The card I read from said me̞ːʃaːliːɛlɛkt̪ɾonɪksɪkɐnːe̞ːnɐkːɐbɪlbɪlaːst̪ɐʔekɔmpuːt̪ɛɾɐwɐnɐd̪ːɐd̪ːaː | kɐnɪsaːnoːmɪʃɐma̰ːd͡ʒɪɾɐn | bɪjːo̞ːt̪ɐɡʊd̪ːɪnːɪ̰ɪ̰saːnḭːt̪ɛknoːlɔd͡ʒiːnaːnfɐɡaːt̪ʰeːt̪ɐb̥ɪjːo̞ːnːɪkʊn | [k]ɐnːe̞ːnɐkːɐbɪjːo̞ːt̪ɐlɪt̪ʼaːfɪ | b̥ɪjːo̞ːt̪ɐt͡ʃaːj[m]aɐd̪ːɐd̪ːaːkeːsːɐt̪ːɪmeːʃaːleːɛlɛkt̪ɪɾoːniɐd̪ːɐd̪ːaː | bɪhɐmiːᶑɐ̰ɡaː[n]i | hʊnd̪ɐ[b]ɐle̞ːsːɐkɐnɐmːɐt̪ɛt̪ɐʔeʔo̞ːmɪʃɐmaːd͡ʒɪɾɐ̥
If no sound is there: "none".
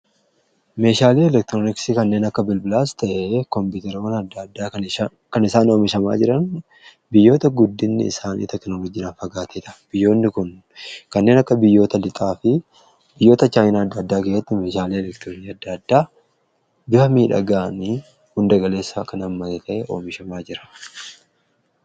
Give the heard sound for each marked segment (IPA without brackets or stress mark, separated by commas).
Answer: k, n, n, ɡ